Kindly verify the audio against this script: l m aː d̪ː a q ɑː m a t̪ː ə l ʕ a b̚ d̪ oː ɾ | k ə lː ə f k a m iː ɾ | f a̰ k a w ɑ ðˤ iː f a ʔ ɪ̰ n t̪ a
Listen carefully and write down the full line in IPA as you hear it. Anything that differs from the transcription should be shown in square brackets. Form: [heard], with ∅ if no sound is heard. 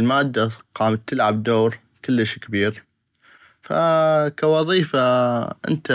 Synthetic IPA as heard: l m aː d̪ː a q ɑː m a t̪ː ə l ʕ a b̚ d̪ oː ɾ | k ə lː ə [ʃ] k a [b] iː ɾ | f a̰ k a w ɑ ðˤ iː f a ʔ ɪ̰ n t̪ a